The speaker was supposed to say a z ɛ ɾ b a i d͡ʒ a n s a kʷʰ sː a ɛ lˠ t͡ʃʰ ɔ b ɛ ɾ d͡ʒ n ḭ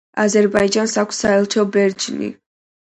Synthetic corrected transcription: a z ɛ ɾ b a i d͡ʒ a n s a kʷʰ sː a ɛ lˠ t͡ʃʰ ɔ b ɛ ɾ d͡ʒ n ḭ